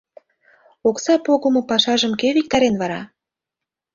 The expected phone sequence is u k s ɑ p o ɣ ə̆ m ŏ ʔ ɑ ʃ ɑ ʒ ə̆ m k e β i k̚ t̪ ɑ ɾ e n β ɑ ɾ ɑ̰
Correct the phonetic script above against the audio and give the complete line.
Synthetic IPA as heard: o k s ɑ p o ɣ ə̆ m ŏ p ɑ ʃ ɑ ʒ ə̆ m k e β i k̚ t̪ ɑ ɾ e n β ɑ ɾ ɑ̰